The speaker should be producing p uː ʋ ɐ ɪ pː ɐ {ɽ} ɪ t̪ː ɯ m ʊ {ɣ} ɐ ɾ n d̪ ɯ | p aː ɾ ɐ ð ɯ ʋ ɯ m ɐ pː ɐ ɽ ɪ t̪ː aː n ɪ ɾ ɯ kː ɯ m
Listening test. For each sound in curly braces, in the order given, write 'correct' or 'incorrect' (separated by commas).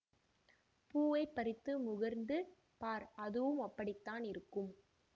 incorrect, correct